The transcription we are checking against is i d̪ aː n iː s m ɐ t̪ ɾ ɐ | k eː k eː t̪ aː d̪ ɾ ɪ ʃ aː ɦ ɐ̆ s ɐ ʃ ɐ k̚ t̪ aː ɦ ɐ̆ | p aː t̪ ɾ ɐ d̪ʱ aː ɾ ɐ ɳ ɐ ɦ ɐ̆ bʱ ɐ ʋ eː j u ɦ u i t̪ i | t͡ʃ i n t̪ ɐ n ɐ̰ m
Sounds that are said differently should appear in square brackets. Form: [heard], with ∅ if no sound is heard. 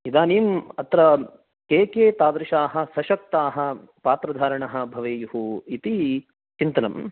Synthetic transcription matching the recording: i d̪ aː n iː [∅] m ɐ t̪ ɾ ɐ | k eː k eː t̪ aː d̪ ɾ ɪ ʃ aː ɦ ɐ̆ s ɐ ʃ ɐ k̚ t̪ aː ɦ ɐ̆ | p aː t̪ ɾ ɐ d̪ʱ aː ɾ ɐ ɳ ɐ ɦ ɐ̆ bʱ ɐ ʋ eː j u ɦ u i t̪ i | t͡ʃ i n t̪ ɐ n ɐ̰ m

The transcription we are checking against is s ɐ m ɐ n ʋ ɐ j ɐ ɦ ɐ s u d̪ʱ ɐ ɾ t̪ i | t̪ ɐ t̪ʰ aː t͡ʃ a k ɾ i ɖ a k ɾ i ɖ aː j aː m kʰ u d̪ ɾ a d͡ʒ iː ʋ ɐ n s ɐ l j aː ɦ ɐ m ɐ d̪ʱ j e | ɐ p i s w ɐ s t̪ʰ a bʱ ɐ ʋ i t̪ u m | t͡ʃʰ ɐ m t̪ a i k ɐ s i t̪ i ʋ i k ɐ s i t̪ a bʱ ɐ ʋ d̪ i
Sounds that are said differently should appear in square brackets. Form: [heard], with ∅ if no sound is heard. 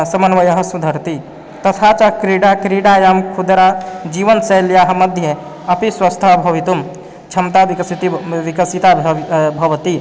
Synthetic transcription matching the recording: s ɐ m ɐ n ʋ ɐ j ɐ ɦ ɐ s u d̪ʱ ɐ ɾ t̪ i | t̪ ɐ t̪ʰ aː t͡ʃ a k ɾ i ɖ a k ɾ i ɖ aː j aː m kʰ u d̪ ɾ a d͡ʒ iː ʋ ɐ n s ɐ l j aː ɦ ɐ m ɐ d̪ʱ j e | ɐ p i s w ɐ s t̪ʰ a bʱ ɐ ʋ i t̪ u m | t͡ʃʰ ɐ m t̪ a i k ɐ s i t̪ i ʋ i k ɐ s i t̪ a bʱ ɐ ʋ [t̪] i

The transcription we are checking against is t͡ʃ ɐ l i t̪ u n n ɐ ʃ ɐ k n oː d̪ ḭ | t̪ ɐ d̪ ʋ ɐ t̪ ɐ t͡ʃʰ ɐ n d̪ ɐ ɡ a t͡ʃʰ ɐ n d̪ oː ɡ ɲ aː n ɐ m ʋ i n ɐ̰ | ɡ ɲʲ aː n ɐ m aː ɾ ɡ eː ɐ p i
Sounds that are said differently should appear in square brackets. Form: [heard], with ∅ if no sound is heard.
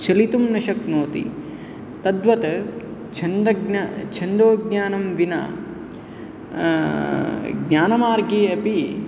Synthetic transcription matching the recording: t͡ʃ ɐ l i t̪ u [m] n ɐ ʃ ɐ k n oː [t̪] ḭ | t̪ ɐ d̪ ʋ ɐ t̪ ɐ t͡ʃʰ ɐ n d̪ ɐ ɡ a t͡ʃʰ ɐ n d̪ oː ɡ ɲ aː n ɐ m ʋ i n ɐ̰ | ɡ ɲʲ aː n ɐ m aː ɾ ɡ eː ɐ p i

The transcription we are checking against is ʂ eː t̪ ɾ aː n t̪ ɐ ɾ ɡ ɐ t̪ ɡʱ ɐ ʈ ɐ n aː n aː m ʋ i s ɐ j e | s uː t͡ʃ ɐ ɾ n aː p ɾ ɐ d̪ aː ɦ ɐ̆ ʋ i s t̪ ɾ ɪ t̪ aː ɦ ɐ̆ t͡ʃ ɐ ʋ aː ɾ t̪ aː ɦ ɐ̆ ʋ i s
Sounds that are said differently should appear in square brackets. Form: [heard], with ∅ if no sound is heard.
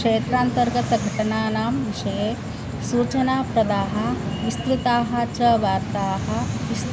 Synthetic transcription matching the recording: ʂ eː t̪ ɾ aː n t̪ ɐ ɾ ɡ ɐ t̪ ɡʱ ɐ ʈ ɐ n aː n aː m ʋ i [ʃ] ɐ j e | s uː t͡ʃ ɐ [∅] n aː p ɾ ɐ d̪ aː ɦ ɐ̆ ʋ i s t̪ ɾ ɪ t̪ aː ɦ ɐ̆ t͡ʃ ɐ ʋ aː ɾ t̪ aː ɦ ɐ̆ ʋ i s

